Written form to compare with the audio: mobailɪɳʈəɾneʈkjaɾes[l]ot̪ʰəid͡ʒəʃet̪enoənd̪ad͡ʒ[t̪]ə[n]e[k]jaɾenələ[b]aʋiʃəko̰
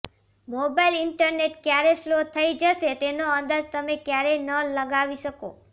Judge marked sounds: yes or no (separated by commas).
yes, yes, no, yes, no